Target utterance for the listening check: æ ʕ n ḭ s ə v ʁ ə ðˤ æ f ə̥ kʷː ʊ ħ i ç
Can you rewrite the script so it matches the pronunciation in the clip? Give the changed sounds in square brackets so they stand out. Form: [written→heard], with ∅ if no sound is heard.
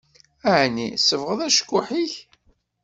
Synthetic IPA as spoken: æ ʕ n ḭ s ə v ʁ ə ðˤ æ [f→ʃ] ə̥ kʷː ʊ ħ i ç